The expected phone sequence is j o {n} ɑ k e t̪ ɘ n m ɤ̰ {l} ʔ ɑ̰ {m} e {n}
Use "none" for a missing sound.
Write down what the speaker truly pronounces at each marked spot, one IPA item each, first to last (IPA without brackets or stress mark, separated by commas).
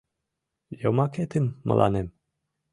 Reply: m, l, n, m